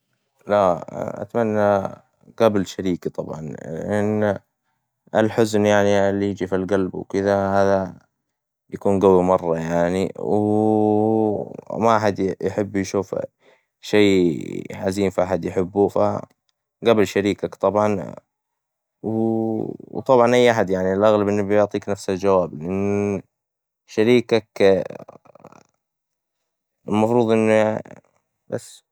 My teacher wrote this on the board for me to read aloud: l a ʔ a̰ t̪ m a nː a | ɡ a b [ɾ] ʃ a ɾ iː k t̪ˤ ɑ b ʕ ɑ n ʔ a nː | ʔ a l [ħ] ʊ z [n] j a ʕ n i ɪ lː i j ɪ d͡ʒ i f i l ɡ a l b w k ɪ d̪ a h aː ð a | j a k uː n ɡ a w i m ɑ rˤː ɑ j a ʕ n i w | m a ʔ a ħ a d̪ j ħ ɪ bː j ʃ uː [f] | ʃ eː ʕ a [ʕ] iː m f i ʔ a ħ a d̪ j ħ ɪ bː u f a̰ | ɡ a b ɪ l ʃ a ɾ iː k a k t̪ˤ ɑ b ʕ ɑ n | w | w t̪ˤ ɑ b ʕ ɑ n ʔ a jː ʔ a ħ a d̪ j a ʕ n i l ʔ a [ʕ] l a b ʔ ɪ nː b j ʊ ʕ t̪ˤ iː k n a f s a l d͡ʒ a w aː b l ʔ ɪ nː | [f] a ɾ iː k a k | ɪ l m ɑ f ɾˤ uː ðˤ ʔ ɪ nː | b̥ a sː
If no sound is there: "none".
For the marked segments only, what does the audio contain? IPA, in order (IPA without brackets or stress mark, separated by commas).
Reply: l, ħ, n, f, z, ɣ, ʃ